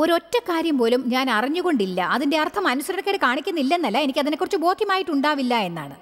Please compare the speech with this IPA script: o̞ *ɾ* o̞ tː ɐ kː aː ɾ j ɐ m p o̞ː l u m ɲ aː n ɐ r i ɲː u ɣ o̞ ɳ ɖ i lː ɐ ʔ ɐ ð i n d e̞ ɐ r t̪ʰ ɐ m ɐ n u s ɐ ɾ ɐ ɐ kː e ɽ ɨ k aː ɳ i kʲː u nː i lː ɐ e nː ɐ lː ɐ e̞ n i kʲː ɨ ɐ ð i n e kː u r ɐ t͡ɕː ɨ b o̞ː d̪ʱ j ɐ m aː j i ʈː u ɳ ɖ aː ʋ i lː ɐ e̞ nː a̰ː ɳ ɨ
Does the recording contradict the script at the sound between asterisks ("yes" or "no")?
no